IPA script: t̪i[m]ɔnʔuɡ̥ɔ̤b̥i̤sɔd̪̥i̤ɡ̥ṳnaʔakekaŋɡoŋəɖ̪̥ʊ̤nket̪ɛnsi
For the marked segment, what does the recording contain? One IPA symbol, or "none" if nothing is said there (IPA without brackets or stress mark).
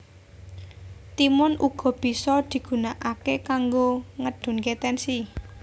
m